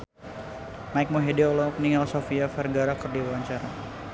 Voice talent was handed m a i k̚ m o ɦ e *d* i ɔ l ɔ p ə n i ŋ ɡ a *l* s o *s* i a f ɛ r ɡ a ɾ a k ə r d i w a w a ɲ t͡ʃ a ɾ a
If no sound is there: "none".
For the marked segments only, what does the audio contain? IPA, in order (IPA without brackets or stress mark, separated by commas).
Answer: d, l, f